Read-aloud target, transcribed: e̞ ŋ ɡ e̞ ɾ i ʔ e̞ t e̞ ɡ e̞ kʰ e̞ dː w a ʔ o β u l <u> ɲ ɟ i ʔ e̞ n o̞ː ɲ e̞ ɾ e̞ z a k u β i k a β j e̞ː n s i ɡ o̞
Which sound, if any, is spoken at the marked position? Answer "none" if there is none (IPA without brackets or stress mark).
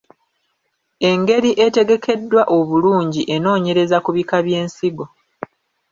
uː